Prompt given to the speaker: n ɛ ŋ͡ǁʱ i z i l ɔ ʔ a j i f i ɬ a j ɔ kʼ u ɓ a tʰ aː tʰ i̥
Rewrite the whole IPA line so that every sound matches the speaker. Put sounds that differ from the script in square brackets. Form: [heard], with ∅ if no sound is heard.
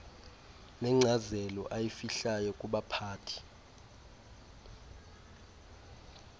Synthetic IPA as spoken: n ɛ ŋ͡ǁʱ [a] z [ɛ] l ɔ ʔ a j i f i ɬ a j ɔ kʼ u ɓ a [pʰ] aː tʰ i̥